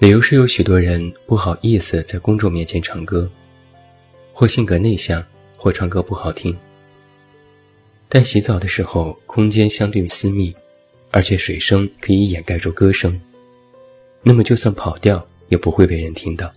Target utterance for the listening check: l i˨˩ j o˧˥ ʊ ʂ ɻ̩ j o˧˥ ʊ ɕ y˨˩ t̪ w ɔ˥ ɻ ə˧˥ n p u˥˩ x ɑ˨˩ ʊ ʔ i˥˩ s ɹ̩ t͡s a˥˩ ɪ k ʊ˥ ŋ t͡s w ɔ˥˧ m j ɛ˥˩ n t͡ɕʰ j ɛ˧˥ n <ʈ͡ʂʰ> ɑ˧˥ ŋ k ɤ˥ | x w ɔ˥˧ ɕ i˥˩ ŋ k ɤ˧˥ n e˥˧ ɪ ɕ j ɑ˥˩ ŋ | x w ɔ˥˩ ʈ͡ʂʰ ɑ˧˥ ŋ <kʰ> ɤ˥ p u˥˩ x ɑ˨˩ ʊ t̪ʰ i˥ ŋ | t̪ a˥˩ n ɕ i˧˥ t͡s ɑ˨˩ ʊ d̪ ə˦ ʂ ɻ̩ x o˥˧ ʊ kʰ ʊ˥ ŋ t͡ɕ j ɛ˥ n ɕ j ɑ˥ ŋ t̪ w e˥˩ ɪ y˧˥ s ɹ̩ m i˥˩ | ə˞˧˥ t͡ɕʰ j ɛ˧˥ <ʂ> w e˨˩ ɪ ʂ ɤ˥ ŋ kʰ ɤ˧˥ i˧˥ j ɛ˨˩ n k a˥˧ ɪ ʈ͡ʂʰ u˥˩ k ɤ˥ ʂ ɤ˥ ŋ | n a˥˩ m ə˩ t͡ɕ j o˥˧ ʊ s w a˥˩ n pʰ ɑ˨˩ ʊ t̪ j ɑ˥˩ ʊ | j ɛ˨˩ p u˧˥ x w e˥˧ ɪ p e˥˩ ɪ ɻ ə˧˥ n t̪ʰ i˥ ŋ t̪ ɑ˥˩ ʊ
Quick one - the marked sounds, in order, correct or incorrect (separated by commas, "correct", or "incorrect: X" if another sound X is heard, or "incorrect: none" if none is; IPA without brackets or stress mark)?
correct, incorrect: k, correct